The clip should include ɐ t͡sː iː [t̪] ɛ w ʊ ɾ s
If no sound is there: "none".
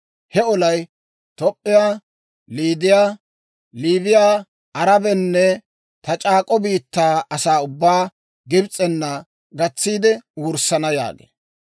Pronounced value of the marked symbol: d̪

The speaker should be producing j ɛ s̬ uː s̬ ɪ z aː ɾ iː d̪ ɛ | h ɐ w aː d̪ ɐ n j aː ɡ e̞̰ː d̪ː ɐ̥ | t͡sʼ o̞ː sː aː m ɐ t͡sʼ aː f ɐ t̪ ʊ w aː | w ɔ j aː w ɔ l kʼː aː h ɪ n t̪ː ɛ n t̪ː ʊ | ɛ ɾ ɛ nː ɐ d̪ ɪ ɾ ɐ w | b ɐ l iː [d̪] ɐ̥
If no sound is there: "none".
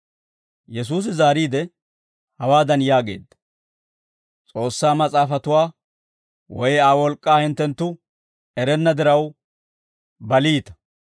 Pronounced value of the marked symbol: t̪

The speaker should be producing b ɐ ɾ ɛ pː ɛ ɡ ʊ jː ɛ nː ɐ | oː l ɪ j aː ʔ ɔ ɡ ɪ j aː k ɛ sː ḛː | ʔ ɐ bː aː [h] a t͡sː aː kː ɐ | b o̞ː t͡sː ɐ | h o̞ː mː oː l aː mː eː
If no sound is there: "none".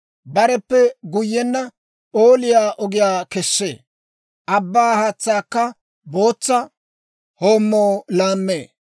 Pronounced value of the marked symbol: h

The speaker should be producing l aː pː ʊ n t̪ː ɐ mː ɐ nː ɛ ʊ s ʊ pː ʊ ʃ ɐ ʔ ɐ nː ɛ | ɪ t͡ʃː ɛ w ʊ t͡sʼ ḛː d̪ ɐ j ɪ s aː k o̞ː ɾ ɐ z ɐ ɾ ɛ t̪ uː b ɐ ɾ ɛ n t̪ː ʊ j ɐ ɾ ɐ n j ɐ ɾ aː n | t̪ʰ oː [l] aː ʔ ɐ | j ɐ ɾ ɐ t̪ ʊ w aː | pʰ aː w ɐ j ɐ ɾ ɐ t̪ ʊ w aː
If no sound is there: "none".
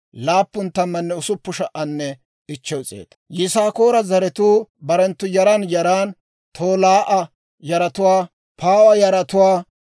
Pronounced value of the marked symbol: l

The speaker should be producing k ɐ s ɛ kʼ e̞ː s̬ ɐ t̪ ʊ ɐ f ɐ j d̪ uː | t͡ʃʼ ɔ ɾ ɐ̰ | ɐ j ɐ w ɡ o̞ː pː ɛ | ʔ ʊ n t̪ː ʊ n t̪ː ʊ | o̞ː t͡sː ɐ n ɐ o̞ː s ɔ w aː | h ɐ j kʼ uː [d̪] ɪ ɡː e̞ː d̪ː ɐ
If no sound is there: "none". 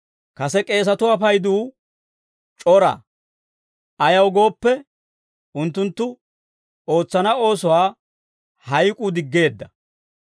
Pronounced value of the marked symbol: d̪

